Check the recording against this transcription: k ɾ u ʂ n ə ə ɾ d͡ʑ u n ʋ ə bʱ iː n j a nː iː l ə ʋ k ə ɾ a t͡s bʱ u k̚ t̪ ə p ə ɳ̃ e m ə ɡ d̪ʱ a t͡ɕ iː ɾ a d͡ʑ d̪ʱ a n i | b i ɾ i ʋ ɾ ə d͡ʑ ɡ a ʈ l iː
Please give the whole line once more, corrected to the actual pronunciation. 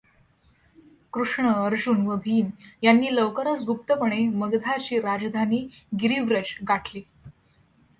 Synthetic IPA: k ɾ u ʂ ɳ ə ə ɾ d͡ʑ u n ʋ ə bʱ iː n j a nː iː l ə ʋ k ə ɾ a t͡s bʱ u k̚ t̪ ə p ə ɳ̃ e m ə ɡ d̪ʱ a t͡ɕ iː ɾ a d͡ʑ d̪ʱ a n iː | ɡ i ɾ i ʋ ɾ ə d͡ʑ ɡ a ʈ l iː